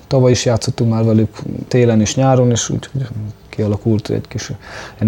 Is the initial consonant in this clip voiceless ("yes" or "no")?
yes